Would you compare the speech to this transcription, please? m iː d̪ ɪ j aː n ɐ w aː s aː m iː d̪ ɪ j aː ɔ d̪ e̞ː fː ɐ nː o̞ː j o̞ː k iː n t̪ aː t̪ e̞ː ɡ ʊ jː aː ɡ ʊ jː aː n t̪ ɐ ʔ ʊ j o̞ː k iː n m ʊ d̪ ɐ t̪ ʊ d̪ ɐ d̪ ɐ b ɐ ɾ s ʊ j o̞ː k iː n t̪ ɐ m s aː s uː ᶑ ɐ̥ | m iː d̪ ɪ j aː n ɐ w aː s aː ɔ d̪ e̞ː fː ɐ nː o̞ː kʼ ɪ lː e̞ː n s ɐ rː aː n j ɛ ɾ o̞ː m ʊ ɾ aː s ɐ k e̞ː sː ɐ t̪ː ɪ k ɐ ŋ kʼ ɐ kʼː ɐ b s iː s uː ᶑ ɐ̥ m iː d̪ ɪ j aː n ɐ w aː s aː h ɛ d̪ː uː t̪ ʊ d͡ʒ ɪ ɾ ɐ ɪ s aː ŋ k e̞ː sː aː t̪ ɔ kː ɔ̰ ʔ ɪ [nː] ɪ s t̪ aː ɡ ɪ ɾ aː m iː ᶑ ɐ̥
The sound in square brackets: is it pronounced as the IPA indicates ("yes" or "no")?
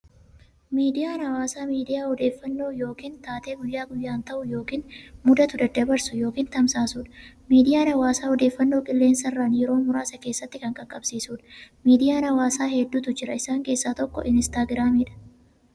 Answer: no